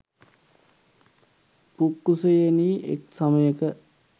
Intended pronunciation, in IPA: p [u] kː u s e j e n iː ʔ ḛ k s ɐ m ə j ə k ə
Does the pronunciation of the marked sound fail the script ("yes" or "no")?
no